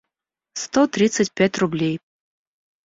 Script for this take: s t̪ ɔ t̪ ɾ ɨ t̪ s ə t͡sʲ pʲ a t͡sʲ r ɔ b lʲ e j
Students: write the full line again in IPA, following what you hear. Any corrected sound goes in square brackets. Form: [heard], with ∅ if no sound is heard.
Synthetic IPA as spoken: s t̪ ɔ t̪ ɾ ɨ t̪ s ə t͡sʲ pʲ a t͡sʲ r [u] b lʲ e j